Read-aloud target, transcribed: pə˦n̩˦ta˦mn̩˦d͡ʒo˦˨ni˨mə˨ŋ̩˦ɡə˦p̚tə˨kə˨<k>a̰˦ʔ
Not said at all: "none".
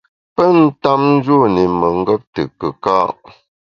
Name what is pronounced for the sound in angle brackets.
k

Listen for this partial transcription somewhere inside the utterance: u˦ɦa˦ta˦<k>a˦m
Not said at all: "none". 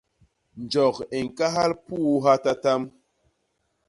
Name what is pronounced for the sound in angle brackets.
t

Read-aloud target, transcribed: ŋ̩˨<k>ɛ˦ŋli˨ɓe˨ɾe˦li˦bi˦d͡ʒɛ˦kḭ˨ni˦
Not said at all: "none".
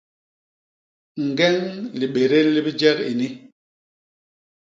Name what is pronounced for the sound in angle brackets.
ɡ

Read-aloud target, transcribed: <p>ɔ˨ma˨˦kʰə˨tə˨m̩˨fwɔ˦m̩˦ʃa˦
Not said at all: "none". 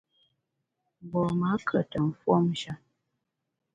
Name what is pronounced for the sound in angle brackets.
b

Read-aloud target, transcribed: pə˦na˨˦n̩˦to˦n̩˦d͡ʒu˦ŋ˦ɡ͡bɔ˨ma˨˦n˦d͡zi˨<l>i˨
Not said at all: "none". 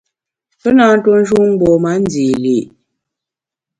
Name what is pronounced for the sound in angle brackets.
l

